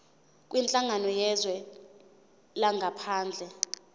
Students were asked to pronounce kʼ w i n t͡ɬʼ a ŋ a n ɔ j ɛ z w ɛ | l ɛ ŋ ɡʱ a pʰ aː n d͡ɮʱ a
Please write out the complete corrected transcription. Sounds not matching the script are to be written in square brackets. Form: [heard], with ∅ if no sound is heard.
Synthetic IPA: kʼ w i n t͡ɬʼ a ŋ a n ɔ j ɛ z w ɛ | l [a] ŋ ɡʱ a pʰ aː n d͡ɮʱ [ɛ]